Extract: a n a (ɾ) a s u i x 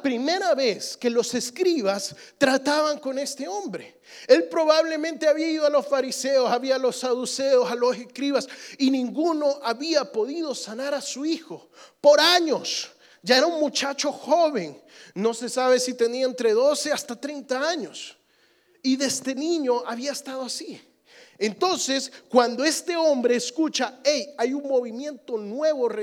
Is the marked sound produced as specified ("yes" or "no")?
yes